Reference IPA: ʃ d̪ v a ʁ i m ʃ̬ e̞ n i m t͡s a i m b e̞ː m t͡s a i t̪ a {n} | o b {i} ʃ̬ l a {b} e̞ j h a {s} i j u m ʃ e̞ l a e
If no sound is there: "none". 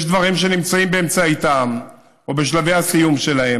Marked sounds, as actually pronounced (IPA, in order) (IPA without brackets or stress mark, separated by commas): m, e, v, s